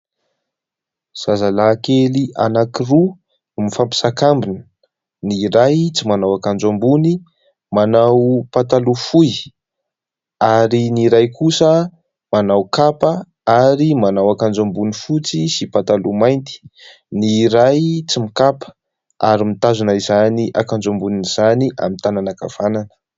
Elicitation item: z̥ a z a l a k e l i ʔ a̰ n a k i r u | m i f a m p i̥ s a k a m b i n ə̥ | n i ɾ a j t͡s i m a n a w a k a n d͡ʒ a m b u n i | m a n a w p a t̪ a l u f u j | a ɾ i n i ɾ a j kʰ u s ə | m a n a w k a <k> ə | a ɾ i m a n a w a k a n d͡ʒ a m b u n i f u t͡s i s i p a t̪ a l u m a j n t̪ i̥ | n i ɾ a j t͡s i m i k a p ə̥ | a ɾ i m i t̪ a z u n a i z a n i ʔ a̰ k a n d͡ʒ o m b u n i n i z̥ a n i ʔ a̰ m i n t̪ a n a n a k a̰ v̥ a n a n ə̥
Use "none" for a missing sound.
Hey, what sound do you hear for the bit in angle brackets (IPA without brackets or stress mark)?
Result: p